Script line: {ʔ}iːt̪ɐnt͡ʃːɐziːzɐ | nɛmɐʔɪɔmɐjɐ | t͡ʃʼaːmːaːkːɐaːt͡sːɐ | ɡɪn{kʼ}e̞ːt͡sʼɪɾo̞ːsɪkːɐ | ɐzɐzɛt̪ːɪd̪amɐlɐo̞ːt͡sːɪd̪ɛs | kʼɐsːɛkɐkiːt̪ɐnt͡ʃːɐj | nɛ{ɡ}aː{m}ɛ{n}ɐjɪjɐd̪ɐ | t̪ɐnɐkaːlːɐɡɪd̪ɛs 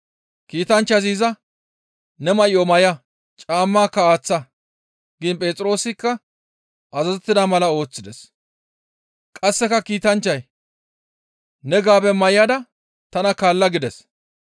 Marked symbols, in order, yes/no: no, no, yes, no, no

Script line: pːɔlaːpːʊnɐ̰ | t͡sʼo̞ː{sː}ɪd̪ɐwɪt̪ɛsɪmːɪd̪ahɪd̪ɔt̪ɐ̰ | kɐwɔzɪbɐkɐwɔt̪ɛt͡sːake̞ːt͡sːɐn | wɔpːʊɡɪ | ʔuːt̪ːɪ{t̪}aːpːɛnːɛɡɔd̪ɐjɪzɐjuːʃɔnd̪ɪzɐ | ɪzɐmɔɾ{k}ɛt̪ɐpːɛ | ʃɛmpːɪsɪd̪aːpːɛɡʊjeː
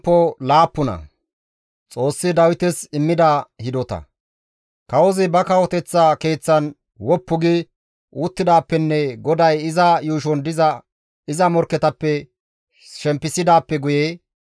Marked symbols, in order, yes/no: yes, no, yes

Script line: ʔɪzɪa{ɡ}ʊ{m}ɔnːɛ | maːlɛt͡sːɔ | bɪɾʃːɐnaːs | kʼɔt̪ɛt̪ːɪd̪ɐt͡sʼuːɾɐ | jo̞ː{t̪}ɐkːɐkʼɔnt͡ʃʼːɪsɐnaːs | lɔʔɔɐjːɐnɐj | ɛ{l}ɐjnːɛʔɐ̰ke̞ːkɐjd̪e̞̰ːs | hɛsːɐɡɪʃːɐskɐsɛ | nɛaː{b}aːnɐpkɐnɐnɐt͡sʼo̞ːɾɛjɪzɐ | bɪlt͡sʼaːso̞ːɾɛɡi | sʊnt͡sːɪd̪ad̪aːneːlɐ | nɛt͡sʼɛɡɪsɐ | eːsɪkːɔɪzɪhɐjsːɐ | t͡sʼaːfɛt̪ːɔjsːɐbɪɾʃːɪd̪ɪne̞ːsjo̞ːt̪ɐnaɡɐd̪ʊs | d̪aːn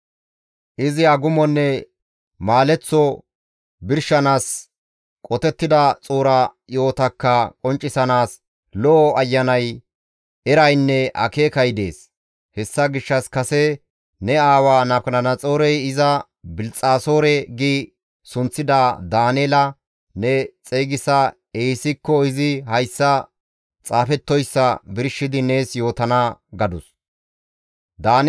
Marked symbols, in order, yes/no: yes, yes, yes, no, no

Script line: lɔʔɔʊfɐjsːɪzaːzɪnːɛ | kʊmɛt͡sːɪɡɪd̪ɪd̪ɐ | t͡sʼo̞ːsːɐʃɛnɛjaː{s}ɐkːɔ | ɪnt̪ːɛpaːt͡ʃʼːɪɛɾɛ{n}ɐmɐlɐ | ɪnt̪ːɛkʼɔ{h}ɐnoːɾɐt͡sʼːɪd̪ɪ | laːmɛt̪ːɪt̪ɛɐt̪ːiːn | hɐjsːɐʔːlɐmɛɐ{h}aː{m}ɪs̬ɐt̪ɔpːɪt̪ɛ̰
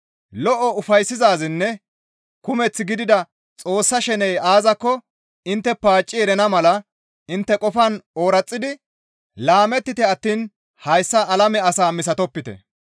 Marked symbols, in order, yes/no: no, yes, no, no, yes

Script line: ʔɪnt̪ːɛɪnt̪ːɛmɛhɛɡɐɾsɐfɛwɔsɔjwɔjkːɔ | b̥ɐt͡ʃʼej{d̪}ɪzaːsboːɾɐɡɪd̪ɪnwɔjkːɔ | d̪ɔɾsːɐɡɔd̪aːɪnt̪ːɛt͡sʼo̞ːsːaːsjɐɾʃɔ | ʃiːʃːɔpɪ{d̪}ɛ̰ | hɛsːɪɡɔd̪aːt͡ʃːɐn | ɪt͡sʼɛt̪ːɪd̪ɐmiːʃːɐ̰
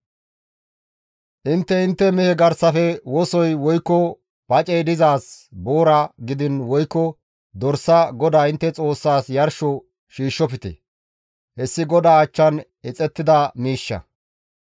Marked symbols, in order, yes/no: yes, no

